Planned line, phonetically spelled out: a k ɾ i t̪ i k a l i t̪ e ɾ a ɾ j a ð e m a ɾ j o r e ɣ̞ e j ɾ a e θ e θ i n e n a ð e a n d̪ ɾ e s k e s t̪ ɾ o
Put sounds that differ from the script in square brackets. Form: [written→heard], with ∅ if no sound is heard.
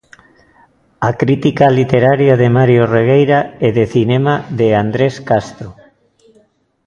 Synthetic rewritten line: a k ɾ i t̪ i k a l i t̪ e ɾ a ɾ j a ð e m a ɾ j o r e ɣ̞ e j ɾ a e [θ→ð] e θ i n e [n→m] a ð e a n d̪ ɾ e s k [e→a] s t̪ ɾ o